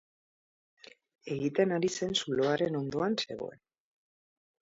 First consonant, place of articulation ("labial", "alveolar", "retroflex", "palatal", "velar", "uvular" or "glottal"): velar